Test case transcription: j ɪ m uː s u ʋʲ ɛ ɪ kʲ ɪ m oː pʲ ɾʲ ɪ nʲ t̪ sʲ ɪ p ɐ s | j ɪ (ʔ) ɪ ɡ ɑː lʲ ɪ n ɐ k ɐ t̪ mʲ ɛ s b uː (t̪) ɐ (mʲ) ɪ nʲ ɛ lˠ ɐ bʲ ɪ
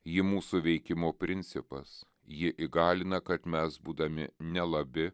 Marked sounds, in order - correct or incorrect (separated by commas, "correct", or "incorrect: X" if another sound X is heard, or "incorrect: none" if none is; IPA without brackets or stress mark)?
correct, incorrect: d̪, correct